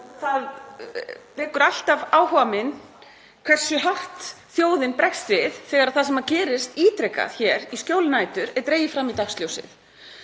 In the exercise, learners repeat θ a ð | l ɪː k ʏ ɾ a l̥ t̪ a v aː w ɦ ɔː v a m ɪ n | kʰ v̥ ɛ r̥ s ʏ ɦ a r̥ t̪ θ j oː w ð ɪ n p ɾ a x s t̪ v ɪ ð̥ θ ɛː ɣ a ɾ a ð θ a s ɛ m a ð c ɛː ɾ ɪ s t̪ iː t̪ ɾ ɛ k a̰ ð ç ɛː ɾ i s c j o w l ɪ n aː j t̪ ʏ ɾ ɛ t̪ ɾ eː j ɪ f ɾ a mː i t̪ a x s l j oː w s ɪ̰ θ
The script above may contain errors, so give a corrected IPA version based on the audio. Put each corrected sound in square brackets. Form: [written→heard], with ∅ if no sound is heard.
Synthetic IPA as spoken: θ a ð | l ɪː k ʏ ɾ a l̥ t̪ a v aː w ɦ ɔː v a m ɪ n | kʰ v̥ ɛ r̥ s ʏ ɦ a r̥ t̪ θ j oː w ð ɪ n p ɾ [a→ɛ] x s t̪ v ɪ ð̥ θ ɛː ɣ a ɾ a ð θ a s ɛ m a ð c ɛː ɾ ɪ s t̪ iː t̪ ɾ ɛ k a̰ ð ç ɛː ɾ i s c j o w l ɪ n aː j t̪ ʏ ɾ ɛ t̪ ɾ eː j ɪ f ɾ a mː i t̪ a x s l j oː w s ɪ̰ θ